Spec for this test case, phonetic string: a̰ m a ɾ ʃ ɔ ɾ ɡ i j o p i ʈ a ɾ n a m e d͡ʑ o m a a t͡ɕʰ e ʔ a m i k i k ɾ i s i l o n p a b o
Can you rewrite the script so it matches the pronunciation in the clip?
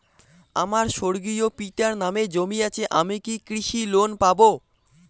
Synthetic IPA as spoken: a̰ m a ɾ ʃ o ɾ ɡ i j o p i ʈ a ɾ n a m e d͡ʑ o m i a t͡ɕʰ e ʔ a m i k i k ɾ i ʃ i l o n p a b o